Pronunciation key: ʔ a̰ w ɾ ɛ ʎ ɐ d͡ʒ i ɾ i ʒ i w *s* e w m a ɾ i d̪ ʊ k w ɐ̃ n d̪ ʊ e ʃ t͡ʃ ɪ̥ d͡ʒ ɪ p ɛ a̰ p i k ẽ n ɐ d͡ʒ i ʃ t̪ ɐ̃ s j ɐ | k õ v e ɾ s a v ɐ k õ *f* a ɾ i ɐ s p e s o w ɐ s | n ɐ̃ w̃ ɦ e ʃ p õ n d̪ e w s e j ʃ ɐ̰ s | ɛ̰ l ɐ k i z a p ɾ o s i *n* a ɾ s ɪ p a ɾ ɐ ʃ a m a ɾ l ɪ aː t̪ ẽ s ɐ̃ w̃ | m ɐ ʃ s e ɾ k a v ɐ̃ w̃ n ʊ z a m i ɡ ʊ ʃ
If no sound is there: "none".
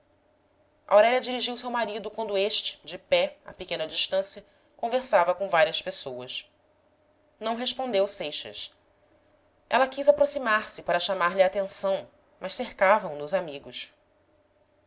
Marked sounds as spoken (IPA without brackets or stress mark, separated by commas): s, v, m